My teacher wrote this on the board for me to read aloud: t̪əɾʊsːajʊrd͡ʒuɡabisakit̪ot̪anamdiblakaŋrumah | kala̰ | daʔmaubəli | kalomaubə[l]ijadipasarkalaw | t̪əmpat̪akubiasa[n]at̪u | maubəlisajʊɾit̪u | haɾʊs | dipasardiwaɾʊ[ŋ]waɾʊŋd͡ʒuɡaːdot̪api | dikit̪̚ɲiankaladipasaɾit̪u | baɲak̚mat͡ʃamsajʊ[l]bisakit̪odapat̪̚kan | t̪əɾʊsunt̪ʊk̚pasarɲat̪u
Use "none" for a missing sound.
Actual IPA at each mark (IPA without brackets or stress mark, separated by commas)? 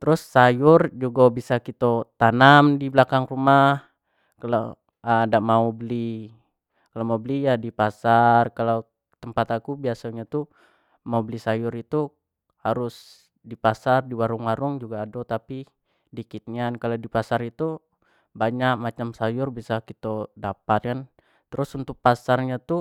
l, ɲ, ŋ, r